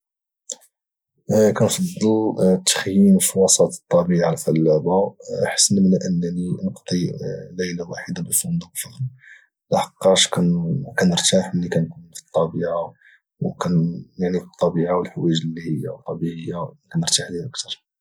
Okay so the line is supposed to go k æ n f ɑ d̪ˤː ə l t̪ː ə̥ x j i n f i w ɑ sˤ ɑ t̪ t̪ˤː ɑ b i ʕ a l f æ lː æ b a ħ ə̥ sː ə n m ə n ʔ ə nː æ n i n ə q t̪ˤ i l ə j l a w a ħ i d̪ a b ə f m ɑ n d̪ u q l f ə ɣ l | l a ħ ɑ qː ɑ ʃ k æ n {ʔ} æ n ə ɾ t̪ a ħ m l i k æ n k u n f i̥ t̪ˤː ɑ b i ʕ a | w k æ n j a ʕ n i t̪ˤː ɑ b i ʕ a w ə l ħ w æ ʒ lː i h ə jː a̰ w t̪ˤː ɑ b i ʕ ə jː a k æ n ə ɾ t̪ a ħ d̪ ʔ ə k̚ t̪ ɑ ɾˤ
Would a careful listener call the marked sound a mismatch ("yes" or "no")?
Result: yes